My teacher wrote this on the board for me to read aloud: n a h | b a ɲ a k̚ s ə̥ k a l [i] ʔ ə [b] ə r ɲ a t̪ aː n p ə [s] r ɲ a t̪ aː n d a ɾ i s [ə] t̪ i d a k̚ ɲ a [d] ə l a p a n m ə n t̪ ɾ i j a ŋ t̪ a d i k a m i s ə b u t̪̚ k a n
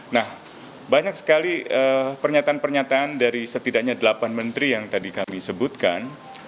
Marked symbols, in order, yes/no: yes, no, no, yes, yes

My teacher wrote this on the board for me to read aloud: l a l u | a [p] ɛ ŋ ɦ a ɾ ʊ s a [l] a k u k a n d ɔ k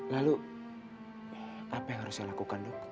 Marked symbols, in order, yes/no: yes, yes

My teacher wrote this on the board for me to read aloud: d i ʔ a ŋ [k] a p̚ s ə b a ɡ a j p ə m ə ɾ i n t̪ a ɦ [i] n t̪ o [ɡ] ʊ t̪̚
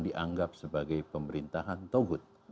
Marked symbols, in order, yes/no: no, no, yes

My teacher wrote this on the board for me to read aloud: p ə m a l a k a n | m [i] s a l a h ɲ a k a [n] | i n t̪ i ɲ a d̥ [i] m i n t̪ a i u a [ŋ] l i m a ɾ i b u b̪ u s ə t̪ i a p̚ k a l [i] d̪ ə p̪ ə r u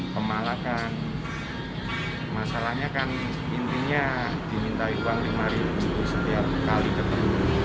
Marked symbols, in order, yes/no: no, yes, yes, yes, yes

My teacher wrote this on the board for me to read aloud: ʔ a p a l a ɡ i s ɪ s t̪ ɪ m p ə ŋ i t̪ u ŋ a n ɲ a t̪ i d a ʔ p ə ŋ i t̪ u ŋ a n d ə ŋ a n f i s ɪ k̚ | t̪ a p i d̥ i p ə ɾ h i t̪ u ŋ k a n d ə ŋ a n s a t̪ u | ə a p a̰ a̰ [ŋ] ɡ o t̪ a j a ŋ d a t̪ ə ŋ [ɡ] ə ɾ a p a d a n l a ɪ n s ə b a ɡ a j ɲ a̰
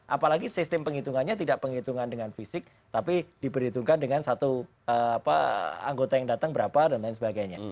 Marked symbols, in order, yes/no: yes, no

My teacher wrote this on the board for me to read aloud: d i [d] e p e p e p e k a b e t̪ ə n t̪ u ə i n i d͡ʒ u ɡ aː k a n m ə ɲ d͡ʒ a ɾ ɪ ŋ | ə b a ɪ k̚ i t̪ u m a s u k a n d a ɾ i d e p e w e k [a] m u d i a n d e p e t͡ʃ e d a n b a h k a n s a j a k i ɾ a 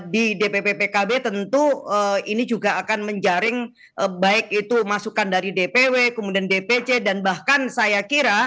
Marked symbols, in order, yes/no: yes, no

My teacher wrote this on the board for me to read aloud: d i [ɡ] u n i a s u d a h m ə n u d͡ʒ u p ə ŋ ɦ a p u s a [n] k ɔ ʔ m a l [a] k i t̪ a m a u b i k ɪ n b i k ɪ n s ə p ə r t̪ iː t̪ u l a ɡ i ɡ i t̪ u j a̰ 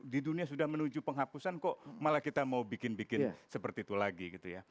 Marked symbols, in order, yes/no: no, yes, yes

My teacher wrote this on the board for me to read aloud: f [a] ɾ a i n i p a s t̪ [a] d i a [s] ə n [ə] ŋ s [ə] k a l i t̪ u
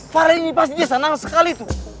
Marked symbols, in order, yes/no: yes, no, yes, no, yes

